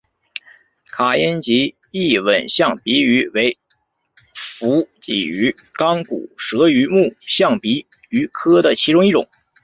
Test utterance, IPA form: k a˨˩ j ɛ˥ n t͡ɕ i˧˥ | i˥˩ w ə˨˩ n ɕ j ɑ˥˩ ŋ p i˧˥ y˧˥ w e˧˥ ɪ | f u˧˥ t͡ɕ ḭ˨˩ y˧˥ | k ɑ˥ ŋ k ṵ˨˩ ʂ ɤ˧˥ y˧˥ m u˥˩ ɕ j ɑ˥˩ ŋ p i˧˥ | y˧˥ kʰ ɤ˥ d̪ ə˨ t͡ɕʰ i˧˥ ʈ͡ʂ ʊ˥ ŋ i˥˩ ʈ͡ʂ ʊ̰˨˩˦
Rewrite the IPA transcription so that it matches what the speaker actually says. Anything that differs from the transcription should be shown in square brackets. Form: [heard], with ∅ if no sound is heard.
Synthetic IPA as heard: [kʰ] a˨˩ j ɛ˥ n t͡ɕ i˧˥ | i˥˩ w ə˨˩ n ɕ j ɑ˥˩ ŋ p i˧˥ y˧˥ w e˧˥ ɪ | f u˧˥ t͡ɕ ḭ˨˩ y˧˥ | k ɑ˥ ŋ k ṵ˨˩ ʂ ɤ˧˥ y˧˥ m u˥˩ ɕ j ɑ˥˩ ŋ p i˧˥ | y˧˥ kʰ ɤ˥ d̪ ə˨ t͡ɕʰ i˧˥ ʈ͡ʂ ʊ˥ ŋ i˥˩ ʈ͡ʂ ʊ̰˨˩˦

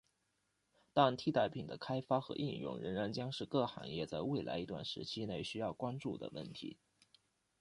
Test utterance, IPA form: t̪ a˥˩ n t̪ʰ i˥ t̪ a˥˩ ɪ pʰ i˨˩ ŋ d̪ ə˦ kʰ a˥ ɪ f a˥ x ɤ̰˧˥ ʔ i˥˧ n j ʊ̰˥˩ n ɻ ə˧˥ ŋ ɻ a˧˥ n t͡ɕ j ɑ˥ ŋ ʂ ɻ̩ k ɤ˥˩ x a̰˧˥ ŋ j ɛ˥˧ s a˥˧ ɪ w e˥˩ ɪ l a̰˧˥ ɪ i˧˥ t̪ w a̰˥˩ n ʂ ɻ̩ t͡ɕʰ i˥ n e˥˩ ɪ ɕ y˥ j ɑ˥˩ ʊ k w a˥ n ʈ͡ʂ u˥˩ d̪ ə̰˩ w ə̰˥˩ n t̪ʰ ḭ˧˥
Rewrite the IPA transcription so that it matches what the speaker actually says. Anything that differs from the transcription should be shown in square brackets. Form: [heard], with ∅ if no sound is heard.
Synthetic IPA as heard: t̪ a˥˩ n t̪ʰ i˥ t̪ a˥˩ ɪ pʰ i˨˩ ŋ d̪ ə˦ kʰ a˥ ɪ f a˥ x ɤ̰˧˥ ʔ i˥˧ n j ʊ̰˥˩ [ŋ] ɻ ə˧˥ ŋ ɻ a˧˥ n t͡ɕ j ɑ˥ ŋ ʂ ɻ̩ k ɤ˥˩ x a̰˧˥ ŋ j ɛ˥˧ [t͡s] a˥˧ ɪ w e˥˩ ɪ l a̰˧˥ ɪ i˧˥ t̪ w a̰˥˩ n ʂ ɻ̩ t͡ɕʰ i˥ n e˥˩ ɪ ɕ y˥ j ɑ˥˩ ʊ k w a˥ n ʈ͡ʂ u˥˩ d̪ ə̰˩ w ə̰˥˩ n t̪ʰ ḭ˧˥

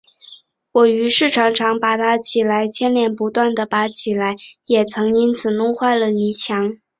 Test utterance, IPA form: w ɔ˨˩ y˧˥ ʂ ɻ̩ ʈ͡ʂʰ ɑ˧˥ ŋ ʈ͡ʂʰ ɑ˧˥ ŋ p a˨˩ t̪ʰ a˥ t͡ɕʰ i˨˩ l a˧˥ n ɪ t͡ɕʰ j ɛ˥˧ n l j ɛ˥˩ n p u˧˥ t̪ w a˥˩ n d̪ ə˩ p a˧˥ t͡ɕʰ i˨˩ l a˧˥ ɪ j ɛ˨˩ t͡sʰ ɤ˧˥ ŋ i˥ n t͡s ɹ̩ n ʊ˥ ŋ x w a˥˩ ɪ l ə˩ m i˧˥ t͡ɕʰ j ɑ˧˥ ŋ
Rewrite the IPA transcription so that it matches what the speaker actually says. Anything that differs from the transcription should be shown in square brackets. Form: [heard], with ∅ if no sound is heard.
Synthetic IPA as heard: w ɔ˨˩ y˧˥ ʂ ɻ̩ ʈ͡ʂʰ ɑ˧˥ ŋ ʈ͡ʂʰ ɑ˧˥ ŋ p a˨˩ t̪ʰ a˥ t͡ɕʰ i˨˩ l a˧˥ [∅] ɪ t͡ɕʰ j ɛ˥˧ n l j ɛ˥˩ n p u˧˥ t̪ w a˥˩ n d̪ ə˩ p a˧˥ t͡ɕʰ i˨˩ l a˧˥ ɪ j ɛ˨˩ t͡sʰ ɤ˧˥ ŋ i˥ n [t͡sʰ] ɹ̩ n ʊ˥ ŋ x w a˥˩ ɪ l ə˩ [n] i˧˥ t͡ɕʰ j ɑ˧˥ ŋ

